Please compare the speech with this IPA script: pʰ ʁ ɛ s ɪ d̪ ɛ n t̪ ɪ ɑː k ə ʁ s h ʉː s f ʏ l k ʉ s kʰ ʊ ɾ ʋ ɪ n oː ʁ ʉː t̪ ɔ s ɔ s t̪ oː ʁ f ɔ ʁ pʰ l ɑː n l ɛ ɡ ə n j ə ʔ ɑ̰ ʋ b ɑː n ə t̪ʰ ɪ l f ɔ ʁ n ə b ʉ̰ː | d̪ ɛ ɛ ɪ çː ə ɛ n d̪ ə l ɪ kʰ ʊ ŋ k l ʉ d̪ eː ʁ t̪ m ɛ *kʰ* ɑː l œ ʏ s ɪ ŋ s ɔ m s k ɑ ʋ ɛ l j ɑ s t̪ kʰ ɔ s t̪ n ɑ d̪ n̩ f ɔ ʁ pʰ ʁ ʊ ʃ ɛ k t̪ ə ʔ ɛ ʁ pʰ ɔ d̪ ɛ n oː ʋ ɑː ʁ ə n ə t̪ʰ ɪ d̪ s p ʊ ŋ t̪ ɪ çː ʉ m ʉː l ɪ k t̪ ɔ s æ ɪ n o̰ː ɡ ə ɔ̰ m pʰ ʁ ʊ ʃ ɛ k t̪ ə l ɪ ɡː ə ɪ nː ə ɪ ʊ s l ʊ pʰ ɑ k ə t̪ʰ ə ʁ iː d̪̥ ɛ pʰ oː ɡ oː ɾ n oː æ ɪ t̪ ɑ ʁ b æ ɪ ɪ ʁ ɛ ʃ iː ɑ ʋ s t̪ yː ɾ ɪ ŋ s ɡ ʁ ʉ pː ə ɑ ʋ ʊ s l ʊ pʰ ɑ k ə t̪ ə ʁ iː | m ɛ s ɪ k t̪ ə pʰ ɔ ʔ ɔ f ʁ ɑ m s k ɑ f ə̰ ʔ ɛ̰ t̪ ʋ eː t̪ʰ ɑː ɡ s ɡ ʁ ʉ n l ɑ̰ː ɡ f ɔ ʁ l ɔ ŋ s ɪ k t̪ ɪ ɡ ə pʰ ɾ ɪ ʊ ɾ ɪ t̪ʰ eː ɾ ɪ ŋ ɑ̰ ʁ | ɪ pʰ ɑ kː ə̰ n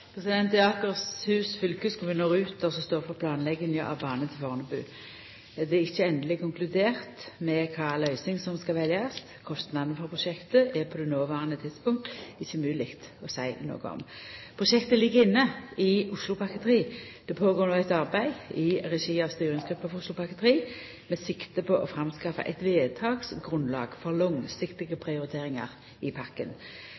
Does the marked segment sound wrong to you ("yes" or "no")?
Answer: no